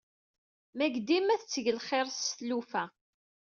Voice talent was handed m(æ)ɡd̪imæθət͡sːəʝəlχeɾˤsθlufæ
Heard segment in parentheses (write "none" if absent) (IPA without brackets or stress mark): æ